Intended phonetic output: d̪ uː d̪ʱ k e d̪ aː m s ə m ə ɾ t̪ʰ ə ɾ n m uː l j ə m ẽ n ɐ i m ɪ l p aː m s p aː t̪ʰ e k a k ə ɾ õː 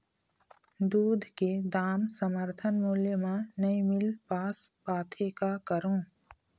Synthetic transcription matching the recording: d̪ uː d̪ʱ k e d̪ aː m s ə m ə ɾ t̪ʰ ə n m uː l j ə m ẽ n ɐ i m ɪ l p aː s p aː t̪ʰ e k a k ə ɾ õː